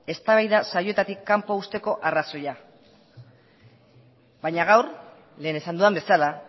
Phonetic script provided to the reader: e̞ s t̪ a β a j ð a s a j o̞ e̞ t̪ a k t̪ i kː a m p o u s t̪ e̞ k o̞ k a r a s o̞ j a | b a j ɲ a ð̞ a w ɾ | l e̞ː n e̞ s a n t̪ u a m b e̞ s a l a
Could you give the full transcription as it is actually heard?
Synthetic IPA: e̞ s t̪ a β a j ð a s a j o̞ e̞ t̪ a t̪ i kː a m p o u s t̪ e̞ k o̞ ʔ a r a s o̞ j a | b a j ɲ a ɣ̞ a w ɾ | l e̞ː n e̞ s a n d̪ u a m b e̞ s a l a